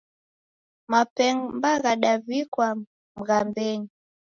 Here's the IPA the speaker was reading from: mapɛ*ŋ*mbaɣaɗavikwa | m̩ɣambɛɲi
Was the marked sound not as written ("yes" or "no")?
no